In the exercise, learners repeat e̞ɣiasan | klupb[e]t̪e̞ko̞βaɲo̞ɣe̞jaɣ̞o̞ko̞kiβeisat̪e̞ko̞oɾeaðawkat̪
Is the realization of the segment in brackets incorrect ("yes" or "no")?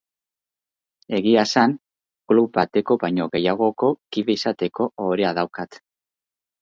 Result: yes